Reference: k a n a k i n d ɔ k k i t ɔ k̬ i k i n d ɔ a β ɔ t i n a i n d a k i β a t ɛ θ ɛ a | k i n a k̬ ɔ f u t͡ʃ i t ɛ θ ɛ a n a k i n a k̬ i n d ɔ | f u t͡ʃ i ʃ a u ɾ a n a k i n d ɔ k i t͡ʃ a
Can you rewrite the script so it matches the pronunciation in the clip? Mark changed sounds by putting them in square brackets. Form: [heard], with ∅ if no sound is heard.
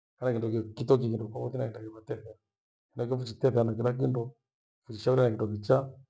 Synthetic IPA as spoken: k a n a k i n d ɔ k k i t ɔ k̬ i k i n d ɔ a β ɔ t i n a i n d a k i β a t ɛ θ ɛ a | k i n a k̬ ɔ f u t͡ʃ i t ɛ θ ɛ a n a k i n a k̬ i n d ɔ | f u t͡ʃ i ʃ a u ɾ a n a k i n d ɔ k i t͡ʃ a